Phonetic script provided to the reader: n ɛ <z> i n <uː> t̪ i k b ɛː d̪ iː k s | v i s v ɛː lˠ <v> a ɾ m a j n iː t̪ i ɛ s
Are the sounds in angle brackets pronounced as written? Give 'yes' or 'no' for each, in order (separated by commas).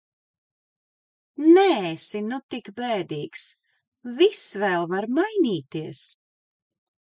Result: no, no, yes